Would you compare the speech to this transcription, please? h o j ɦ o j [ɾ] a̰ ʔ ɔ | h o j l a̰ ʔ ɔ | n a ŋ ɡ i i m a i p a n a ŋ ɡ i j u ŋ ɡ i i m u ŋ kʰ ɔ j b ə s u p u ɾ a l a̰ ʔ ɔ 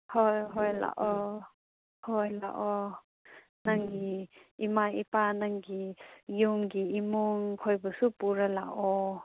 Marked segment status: incorrect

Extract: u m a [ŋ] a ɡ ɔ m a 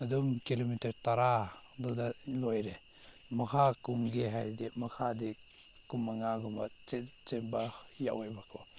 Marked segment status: correct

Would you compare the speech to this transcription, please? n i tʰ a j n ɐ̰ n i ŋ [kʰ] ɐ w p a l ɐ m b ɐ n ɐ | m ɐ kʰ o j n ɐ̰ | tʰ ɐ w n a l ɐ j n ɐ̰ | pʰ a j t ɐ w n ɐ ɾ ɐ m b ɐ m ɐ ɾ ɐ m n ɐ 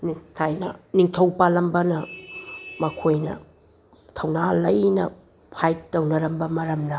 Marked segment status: incorrect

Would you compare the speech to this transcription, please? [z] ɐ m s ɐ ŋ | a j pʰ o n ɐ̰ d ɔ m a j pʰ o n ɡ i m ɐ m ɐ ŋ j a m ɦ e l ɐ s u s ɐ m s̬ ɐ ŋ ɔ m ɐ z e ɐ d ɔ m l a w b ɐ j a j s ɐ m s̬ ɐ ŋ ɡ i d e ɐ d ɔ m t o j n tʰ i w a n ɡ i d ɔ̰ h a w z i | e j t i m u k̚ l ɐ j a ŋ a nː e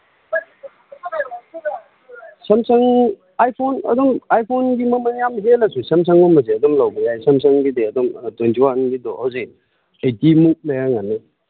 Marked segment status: incorrect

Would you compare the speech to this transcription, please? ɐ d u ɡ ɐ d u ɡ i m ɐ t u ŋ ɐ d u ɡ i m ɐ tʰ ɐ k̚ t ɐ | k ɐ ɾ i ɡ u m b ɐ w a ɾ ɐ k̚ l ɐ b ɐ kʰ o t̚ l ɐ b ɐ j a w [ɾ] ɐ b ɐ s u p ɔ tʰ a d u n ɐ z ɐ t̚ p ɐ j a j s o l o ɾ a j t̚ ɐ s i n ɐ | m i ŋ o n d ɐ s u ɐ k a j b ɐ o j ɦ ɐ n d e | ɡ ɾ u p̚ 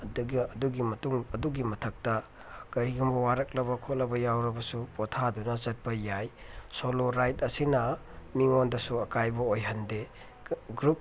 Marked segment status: correct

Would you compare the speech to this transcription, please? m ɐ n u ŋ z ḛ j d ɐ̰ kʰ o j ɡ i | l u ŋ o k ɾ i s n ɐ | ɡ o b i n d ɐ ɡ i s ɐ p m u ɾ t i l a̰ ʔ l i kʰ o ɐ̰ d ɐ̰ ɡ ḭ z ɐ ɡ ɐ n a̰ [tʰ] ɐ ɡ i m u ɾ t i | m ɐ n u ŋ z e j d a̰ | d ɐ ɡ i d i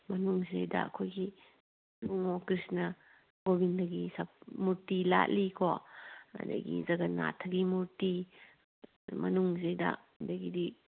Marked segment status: correct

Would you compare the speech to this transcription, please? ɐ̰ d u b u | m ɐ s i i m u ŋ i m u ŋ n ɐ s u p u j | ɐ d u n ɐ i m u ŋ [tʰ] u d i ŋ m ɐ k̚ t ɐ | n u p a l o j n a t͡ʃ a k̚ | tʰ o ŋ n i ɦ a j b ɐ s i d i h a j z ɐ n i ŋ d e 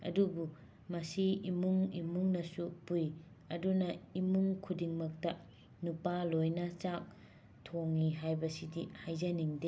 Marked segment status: incorrect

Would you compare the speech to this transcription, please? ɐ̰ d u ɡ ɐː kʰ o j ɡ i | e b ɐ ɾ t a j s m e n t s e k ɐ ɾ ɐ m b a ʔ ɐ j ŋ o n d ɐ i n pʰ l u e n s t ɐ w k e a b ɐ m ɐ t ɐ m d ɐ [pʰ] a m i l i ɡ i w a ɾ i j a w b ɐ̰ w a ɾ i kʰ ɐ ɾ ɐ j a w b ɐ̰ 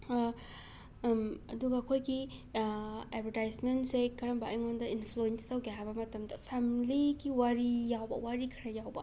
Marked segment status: correct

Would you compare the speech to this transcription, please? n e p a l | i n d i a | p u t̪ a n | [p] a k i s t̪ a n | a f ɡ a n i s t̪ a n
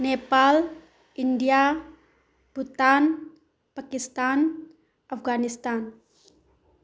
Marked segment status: correct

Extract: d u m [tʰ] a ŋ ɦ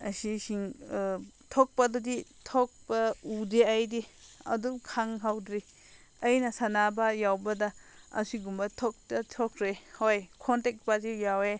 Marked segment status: incorrect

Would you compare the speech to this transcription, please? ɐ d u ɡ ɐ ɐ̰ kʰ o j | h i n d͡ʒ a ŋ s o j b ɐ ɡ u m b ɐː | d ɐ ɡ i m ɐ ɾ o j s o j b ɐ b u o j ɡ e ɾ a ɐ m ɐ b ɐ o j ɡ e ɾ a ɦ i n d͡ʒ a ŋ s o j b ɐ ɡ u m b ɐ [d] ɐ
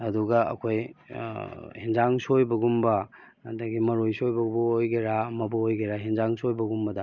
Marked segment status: correct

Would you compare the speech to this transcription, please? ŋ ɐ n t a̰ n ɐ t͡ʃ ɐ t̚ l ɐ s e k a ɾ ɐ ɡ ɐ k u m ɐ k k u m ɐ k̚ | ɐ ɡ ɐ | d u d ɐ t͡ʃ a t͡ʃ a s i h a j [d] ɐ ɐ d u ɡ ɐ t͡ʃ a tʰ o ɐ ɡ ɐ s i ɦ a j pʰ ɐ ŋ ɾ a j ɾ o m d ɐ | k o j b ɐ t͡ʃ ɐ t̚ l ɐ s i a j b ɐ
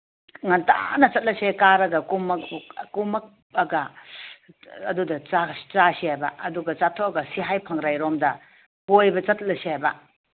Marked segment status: incorrect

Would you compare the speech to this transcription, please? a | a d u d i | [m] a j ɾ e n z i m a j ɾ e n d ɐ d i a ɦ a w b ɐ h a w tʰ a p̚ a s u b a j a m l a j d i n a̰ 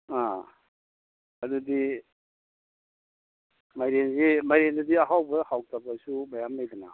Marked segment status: correct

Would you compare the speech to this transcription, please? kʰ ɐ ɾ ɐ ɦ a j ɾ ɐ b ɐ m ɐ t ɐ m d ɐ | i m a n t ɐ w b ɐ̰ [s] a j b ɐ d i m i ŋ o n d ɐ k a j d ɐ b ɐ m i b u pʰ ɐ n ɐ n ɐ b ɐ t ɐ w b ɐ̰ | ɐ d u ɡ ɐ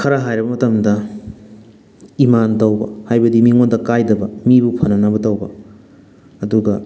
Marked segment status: incorrect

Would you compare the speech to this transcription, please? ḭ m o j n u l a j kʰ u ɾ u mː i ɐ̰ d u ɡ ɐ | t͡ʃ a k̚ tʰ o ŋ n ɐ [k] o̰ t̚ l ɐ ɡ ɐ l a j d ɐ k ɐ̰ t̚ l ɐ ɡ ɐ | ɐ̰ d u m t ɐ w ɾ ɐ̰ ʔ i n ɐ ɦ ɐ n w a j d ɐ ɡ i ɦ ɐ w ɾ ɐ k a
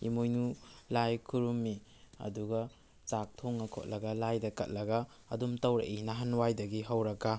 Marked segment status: incorrect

